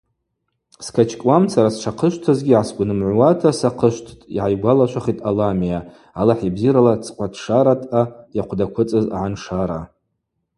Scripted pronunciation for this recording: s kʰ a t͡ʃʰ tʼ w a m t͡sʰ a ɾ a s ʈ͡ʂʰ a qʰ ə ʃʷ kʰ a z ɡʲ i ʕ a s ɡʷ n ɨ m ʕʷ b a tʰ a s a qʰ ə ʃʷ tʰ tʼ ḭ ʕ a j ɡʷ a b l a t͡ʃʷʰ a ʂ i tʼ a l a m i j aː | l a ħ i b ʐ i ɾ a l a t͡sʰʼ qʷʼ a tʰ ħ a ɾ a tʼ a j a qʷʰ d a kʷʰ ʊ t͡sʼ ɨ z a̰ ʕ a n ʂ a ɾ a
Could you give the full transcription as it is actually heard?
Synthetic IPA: s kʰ a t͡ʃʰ kʼ w a m t͡sʰ a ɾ a s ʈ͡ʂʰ a qʰ ə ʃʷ tʰ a z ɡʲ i ʕ a s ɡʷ n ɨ m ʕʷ w a tʰ a s a qʰ ə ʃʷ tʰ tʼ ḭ ʕ a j ɡʷ a l a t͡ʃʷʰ a χ i tʼ a l a m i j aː | l a ħ i b z i ɾ a l a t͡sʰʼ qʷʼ a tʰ ʂ a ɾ a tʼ a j a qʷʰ d a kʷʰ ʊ t͡sʼ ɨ z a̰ ʕ a n ʂ a ɾ a

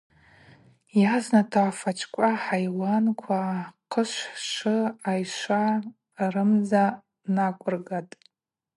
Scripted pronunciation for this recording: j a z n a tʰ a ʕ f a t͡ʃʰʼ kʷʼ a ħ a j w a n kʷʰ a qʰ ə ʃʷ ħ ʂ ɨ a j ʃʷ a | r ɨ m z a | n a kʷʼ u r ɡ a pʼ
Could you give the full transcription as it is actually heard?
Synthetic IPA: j a z n a tʰ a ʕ f a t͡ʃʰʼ kʷʼ a ħ a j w a n kʷʰ a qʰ ə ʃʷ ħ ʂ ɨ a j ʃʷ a | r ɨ m z a | n a kʷʼ ʊ r ɡ a tʼ

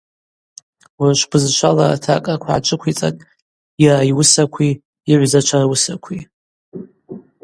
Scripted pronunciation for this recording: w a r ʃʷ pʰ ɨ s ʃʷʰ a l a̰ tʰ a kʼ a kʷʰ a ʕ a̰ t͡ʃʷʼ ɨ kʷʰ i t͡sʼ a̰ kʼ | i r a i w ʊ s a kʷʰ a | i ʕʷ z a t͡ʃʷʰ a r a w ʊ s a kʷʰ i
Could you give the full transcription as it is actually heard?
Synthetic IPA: w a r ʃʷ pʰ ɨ z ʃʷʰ a l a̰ tʰ a kʼ a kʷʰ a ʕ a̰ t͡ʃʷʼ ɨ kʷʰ i t͡sʼ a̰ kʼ | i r a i w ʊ s a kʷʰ i | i ʕʷ z a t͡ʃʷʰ a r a w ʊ s a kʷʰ i

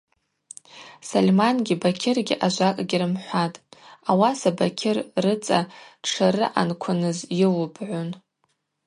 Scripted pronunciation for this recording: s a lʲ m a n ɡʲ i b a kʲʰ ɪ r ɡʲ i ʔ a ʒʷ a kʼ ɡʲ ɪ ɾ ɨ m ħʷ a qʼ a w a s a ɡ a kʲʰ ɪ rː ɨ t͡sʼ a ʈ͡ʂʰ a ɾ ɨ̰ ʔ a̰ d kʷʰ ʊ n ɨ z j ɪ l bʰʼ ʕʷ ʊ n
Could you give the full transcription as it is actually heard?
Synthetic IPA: s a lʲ m a n ɡʲ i b a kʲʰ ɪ r ɡʲ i ʔ a ʒʷ a kʼ ɡʲ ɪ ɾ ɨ m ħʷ a tʼ a w a s a b a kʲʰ ɪ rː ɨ t͡sʼ a ʈ͡ʂʰ a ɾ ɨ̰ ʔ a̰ n kʷʰ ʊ n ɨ z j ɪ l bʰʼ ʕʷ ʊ n

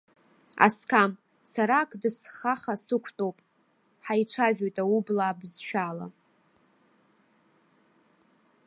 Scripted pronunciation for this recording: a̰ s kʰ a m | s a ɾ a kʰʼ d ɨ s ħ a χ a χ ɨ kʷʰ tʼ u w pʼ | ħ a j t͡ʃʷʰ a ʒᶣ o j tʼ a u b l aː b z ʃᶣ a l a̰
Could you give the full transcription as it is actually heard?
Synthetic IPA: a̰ s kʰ a m | s a ɾ a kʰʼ d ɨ s χ a χ a s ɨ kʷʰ tʼ o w pʼ | ħ a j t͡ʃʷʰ a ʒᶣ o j tʼ a u b l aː b z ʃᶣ a l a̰

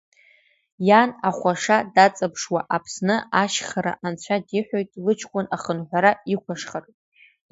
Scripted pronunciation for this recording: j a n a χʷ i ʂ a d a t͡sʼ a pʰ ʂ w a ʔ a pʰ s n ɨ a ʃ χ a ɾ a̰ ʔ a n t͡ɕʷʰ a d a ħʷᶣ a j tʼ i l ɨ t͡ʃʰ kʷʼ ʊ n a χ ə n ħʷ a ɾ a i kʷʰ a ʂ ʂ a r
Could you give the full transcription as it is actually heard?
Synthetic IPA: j a n a χʷ a ʂ a d a t͡sʼ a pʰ ʂ w a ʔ a pʰ s n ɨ a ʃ χ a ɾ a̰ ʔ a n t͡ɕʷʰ a d i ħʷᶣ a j tʼ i l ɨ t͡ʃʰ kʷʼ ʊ n a χ ə n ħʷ a ɾ a i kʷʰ a ʂ χ a r

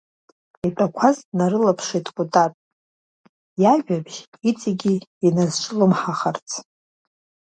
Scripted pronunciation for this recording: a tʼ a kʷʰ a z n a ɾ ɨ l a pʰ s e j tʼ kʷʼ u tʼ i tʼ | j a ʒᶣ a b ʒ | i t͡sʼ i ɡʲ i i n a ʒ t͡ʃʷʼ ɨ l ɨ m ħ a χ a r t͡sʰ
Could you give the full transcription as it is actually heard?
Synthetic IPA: i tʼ a kʷʰ a z n a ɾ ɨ l a pʰ ʂ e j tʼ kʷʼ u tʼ a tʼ | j a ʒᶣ a b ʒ | i t͡sʼ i ɡʲ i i n a z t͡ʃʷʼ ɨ l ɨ m ħ a χ a r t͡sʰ

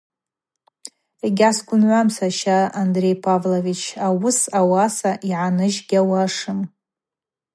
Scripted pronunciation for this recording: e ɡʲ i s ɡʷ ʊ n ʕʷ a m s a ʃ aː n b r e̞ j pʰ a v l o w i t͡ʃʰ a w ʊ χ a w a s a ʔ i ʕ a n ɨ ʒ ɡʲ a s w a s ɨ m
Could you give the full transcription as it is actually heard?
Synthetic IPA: e ɡʲ a s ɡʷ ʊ n ʕʷ a m s a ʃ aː n d r e̞ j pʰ a v l o v i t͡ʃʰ a w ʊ s a w a s a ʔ i ʕ a n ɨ ʒ ɡʲ a w a ʂ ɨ m

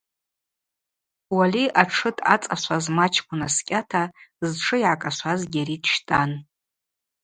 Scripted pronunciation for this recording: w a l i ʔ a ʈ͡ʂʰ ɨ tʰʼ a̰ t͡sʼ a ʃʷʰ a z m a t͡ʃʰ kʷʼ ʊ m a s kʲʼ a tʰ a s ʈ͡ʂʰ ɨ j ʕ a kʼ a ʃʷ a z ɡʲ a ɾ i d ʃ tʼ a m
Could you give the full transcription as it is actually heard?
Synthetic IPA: w a l i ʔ a ʈ͡ʂʰ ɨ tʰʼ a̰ t͡sʼ a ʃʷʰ a z m a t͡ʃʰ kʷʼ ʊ n a s kʲʼ a tʰ a z ʈ͡ʂʰ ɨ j ʕ a kʼ a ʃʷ a z ɡʲ a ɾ i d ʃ tʼ a n

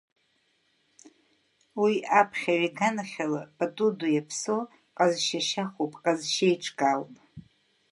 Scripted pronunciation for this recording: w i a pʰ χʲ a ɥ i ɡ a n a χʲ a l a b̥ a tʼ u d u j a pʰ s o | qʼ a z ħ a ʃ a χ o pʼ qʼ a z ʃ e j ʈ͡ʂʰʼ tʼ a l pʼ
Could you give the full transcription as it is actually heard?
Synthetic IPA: w i a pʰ χʲ a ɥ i ɡ a n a χʲ a l a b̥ a tʼ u d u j a pʰ s o | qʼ a z ʃ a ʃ a χ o pʼ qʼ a z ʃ e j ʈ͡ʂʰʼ kʼ a l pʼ

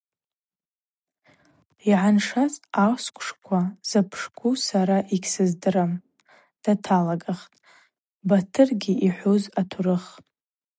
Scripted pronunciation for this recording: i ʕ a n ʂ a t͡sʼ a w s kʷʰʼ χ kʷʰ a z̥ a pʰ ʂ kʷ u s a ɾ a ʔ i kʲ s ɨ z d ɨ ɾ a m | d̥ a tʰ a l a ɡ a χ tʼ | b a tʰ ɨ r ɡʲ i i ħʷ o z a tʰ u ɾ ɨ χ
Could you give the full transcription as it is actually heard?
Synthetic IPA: i ʕ a n ʂ a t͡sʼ a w s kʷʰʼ ʂ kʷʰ a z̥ a pʰ ʂ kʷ u s a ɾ a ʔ i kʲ s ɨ z d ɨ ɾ a m | d̥ a tʰ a l a ɡ a χ tʼ | b a tʰ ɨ r ɡʲ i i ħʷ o z a tʰ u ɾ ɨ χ

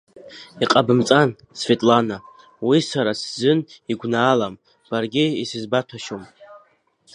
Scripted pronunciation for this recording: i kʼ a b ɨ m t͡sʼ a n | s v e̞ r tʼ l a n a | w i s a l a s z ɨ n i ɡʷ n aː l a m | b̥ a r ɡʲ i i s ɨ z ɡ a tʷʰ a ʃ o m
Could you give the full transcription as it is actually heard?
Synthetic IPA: i qʼ a b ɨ m t͡sʼ a n | s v e̞ tʼ l a n a | w i s a ɾ a s z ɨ n i ɡʷ n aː l a m | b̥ a r ɡʲ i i s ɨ z b a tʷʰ a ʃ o m

